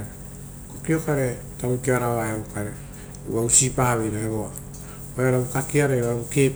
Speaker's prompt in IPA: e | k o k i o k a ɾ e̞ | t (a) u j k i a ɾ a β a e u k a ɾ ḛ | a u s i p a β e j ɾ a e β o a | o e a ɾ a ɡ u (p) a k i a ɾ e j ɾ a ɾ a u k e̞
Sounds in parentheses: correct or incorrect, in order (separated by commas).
correct, incorrect